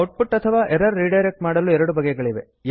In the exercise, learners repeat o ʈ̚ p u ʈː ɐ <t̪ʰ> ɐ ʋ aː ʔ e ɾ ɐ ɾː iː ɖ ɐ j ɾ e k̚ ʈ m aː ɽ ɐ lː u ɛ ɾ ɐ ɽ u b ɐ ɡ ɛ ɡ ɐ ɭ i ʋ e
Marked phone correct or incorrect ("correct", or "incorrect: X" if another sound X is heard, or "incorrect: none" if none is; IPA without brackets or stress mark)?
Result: correct